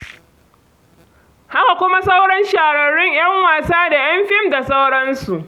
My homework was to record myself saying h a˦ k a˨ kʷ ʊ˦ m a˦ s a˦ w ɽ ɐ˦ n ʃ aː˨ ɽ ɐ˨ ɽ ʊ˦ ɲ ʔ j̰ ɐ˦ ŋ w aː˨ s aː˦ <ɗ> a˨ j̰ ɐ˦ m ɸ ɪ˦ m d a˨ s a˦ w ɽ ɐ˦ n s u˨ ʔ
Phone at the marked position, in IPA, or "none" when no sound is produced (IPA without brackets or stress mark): d